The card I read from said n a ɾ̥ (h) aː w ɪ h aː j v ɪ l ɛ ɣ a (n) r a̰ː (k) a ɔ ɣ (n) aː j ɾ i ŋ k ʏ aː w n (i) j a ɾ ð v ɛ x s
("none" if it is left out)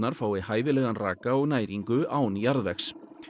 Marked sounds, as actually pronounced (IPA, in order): f, n, k, n, i

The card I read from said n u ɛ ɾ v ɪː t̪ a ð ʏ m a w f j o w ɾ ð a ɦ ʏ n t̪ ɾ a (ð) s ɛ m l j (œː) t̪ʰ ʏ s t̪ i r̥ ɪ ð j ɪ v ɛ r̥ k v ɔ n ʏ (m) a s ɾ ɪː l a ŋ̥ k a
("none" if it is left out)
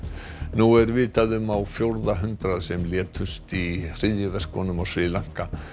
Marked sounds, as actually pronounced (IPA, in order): ð, ɛː, m

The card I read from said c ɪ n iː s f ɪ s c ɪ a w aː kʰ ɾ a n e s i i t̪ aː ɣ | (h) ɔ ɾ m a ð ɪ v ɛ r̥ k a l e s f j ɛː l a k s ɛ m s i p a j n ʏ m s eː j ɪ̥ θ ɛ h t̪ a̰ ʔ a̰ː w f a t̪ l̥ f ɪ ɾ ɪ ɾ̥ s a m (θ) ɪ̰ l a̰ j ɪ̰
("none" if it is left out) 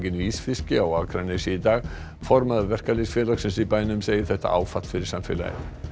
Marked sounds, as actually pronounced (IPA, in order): f, f

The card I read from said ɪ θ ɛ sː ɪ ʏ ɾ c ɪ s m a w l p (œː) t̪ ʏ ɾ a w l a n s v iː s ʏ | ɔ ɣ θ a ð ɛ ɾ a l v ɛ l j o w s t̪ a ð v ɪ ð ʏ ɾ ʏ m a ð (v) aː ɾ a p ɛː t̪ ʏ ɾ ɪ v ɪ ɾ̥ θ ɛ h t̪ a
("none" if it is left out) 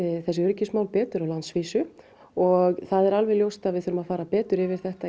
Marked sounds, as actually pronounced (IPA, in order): ɛː, f

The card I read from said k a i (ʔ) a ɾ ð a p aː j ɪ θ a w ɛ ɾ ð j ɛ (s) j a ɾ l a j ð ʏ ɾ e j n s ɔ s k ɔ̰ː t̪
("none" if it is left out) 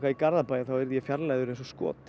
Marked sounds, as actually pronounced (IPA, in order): k, f

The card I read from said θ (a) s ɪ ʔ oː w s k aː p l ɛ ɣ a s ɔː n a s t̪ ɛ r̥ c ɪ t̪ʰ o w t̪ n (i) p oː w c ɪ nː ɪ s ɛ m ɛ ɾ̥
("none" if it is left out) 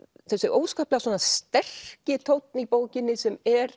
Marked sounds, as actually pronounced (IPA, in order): ɛ, i

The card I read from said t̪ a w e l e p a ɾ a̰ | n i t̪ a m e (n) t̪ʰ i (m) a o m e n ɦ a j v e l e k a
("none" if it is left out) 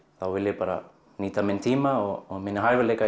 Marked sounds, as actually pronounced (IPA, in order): n, m

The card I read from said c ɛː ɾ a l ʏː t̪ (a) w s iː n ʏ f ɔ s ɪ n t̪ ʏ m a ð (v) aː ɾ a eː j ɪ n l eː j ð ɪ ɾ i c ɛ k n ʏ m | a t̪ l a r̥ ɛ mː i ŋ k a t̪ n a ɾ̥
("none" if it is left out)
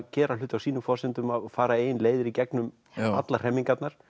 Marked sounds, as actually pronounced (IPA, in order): a, f

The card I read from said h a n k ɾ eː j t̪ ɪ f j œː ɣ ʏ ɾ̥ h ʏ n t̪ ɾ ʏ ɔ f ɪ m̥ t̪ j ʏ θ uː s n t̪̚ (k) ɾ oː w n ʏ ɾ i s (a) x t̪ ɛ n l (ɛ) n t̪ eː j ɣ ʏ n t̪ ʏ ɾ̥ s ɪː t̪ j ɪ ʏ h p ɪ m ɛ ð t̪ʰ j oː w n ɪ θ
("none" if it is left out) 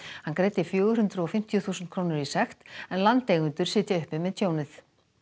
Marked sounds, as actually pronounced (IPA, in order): kʰ, ɛ, a

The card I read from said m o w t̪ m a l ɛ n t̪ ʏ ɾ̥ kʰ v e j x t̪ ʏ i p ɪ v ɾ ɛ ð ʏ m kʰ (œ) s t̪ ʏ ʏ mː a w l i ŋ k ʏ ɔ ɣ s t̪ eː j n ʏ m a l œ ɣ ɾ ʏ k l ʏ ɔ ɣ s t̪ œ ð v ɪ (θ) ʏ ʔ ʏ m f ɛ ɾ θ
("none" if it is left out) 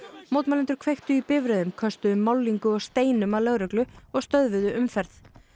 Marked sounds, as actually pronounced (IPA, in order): œ, ð

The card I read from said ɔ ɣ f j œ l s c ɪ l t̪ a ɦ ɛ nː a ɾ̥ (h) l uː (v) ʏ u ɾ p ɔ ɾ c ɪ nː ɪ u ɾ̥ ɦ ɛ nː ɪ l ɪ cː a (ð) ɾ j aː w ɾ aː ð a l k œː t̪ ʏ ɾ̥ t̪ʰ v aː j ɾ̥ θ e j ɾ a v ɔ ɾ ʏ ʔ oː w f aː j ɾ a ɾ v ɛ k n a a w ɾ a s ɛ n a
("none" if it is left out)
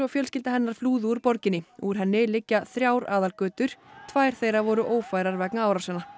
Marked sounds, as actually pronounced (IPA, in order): f, ð, θ

